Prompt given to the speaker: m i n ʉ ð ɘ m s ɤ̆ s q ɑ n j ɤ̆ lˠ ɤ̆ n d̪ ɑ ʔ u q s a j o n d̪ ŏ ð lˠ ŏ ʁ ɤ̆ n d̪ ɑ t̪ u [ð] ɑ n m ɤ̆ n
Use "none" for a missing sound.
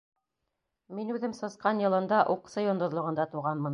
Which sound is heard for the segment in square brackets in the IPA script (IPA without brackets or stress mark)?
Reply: ʁ